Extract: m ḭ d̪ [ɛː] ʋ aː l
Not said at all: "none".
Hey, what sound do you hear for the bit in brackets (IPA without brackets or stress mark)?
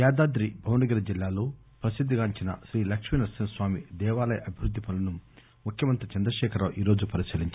ɛː